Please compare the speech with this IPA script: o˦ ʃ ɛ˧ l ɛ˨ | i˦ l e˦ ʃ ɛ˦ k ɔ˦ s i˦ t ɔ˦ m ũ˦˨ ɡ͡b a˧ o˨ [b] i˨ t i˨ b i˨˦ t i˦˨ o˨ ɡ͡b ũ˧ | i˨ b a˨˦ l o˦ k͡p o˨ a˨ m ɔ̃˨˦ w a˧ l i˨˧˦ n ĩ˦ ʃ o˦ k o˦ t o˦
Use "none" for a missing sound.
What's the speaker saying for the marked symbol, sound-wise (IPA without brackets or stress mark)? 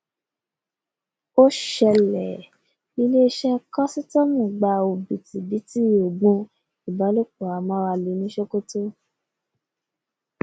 b